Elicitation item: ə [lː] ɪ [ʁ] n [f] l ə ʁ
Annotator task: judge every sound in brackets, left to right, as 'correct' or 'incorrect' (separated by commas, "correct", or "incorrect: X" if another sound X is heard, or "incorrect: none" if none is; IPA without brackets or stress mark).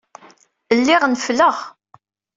correct, correct, correct